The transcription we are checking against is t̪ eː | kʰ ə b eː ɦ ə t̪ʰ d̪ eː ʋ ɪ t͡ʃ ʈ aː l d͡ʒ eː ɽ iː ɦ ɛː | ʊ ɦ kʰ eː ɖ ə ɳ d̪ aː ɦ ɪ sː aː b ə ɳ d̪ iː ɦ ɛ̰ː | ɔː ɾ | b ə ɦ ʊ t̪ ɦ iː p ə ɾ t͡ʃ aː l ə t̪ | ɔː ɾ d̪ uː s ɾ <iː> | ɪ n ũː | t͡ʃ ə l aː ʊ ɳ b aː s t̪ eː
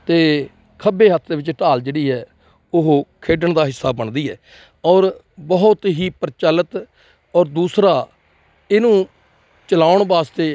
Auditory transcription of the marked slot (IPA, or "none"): aː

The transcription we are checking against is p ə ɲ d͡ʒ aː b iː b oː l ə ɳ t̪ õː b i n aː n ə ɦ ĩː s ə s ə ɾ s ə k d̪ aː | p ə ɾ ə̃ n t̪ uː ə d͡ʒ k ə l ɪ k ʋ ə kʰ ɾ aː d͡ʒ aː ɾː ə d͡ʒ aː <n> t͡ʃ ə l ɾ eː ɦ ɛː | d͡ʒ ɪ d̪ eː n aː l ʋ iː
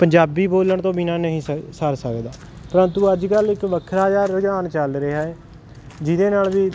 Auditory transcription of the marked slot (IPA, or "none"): n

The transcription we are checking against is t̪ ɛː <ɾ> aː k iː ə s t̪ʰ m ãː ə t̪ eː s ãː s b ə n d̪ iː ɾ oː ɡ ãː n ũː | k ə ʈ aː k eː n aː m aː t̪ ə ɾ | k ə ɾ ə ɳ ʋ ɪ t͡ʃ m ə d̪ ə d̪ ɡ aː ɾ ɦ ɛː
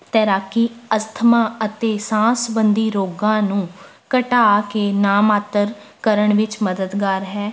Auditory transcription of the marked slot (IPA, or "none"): ɾ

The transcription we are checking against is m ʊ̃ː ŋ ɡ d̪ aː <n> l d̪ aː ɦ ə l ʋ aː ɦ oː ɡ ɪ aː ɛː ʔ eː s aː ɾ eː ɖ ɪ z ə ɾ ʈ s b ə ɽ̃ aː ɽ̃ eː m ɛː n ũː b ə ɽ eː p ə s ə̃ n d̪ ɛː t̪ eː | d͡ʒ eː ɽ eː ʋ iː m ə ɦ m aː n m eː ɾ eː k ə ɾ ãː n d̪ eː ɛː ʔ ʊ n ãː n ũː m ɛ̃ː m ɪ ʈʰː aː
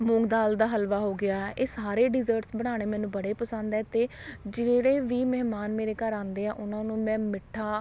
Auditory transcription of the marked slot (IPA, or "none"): none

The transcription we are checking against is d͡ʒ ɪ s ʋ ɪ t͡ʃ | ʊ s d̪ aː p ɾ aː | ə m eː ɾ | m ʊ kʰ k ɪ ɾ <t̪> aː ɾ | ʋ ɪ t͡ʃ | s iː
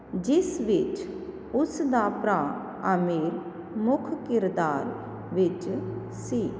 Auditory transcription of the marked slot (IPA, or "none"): d̪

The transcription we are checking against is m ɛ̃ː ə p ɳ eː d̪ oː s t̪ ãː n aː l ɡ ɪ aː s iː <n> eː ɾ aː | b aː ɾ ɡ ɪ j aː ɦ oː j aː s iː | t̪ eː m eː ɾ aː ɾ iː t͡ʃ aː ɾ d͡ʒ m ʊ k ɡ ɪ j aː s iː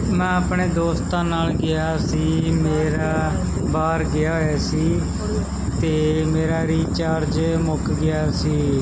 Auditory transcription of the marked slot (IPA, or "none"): m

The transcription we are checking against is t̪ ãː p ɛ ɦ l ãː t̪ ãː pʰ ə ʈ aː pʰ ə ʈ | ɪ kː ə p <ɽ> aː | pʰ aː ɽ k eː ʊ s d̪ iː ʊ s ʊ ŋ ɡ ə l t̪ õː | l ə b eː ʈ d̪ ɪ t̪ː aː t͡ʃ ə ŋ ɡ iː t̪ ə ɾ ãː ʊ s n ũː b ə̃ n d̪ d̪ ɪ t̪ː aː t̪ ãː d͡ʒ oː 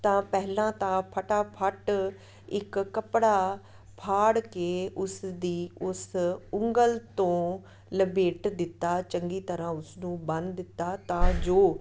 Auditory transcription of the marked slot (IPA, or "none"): ɽ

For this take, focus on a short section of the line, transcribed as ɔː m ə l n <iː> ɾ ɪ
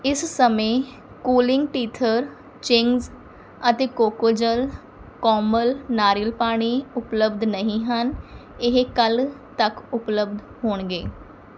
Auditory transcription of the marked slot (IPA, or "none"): aː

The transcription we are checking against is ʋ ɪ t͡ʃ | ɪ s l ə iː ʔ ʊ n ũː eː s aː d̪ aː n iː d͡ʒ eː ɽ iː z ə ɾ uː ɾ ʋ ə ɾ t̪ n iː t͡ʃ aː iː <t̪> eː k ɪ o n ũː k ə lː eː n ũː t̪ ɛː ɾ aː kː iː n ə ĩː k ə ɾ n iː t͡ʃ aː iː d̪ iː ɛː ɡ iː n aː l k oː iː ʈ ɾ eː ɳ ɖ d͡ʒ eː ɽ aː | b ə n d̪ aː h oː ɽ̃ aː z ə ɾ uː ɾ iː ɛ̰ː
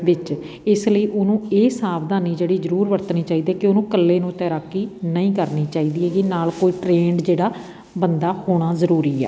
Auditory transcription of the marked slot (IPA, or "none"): d̪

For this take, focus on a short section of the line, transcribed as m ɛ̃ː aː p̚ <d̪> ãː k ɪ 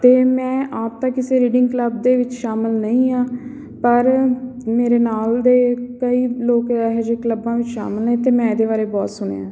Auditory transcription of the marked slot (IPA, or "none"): t̪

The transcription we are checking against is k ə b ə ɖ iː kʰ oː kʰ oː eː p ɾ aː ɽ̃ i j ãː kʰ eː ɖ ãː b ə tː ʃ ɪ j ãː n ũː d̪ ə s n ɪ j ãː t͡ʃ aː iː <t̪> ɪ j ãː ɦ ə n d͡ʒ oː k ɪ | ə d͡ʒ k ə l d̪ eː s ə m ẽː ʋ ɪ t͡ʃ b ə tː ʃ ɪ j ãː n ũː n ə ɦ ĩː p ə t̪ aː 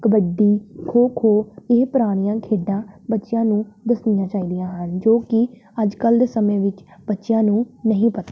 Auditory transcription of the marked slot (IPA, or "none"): d̪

